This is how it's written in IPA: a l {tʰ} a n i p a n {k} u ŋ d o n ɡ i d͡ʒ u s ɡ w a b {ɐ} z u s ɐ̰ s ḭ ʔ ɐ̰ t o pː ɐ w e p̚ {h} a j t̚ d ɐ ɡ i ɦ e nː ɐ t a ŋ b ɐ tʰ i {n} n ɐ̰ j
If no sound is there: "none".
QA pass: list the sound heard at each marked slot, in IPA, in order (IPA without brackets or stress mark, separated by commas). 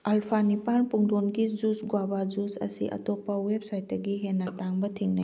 pʰ, p, a, s, ŋ